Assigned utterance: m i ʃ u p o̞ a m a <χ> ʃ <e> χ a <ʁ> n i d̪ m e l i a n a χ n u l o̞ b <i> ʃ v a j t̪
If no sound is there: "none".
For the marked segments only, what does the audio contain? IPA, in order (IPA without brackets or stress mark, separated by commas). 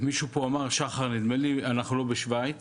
ʁ, a, ʁ, e